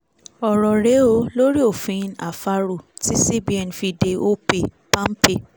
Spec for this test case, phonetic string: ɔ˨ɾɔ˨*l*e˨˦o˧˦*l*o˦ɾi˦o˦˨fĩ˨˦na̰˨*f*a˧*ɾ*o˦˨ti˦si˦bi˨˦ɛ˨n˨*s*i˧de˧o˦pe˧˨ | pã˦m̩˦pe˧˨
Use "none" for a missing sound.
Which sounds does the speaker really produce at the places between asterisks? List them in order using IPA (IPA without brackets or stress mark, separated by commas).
ɾ, l, f, ɾ, f